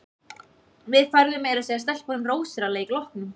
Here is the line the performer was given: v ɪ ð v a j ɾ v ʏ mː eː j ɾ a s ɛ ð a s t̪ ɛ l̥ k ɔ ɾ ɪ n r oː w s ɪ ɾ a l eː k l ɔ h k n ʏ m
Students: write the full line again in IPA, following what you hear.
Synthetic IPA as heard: v ɪ ð f a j ɾ ð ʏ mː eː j ɾ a s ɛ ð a s t̪ ɛ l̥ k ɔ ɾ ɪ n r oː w s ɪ ɾ a l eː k l ɔ h k n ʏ m